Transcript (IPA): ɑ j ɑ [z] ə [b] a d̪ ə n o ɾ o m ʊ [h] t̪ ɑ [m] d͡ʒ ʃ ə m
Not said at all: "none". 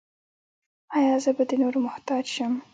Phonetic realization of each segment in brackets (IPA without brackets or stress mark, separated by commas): z, b, h, none